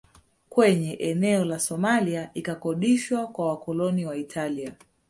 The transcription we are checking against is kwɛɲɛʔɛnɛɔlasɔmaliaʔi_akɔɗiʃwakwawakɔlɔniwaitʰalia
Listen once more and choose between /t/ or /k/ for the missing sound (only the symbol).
k